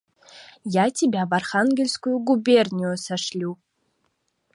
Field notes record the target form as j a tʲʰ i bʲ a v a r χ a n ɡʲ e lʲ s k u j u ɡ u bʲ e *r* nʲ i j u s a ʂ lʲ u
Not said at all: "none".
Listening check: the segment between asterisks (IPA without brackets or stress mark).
r